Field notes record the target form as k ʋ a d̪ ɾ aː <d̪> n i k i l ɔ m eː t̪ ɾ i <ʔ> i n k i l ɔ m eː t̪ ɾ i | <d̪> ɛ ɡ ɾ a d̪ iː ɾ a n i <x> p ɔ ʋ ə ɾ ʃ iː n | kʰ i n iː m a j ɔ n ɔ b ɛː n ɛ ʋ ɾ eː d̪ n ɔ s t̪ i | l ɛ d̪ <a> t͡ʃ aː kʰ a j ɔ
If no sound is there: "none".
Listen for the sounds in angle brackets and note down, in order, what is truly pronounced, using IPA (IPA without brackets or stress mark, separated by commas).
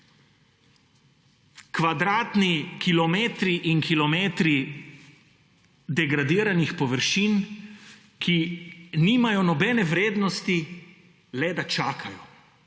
t̪, ʔ, d̪, x, a